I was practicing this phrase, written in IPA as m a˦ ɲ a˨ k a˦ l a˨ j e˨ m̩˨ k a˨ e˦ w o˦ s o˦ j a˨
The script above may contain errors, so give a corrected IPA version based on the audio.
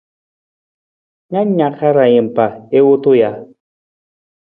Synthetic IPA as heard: ɲ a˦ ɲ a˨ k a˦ ɾ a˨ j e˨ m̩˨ p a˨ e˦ w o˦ t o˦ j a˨

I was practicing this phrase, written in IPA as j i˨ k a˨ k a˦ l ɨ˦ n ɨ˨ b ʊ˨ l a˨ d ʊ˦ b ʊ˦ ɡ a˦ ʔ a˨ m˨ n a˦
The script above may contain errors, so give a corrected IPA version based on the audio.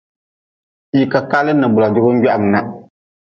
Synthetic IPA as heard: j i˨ k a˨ k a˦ l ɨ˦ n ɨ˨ b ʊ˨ l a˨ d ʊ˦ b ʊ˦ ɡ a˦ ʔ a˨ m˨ n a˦

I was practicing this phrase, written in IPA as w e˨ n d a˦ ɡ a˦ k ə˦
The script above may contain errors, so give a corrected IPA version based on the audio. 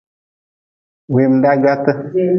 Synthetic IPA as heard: w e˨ m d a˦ ɡ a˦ t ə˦

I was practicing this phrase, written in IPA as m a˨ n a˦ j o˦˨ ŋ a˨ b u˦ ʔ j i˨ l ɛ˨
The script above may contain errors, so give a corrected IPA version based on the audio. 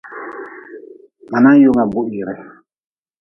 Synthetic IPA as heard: m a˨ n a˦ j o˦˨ ŋ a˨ b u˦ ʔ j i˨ ɾ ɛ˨

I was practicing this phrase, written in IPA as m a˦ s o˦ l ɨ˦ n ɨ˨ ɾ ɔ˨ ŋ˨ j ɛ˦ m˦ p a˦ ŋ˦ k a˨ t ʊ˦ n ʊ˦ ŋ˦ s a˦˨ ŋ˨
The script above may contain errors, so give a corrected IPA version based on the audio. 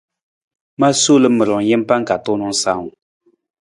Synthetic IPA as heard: m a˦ s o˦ l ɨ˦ m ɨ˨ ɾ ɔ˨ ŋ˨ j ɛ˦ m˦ p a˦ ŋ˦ k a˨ t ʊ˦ n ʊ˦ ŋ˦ s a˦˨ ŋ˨

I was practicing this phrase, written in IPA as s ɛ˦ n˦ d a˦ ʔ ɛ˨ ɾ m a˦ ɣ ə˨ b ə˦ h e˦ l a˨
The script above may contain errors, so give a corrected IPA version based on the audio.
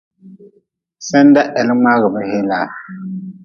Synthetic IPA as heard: s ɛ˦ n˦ d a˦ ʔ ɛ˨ l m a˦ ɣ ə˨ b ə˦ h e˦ l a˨

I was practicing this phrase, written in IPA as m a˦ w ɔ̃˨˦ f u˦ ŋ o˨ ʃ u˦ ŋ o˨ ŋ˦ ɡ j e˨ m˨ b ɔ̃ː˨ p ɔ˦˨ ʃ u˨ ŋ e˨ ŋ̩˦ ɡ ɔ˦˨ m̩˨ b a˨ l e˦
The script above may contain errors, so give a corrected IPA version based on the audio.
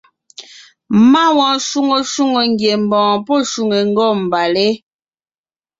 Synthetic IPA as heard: m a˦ w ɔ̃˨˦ ʃ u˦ ŋ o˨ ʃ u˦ ŋ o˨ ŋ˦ ɡ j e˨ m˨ b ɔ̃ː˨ p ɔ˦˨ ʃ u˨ ŋ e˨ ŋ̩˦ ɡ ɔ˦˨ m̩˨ b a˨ l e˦

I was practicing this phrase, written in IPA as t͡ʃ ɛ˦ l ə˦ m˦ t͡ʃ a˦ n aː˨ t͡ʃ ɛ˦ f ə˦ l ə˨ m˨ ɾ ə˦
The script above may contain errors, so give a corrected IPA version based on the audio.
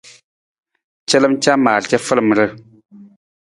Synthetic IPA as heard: t͡ʃ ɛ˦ l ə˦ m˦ t͡ʃ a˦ m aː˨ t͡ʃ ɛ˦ f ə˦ l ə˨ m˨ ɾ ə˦

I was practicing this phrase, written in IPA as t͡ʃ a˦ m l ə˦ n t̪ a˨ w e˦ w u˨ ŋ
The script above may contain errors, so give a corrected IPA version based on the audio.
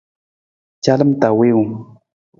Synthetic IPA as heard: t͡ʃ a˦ l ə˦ m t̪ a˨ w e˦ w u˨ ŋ

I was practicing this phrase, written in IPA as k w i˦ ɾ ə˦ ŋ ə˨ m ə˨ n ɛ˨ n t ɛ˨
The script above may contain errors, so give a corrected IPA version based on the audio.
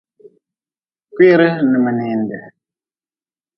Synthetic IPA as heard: k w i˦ ɾ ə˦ n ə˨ m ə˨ n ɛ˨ n d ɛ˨

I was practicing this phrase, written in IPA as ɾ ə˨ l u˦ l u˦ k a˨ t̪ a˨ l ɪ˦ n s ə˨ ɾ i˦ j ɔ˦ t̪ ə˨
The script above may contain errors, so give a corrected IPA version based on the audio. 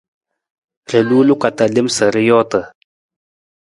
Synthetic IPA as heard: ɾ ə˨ l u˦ l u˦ k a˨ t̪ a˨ l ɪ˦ m s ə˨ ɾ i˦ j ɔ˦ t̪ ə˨

